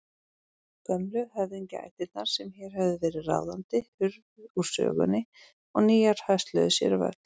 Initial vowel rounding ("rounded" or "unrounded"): rounded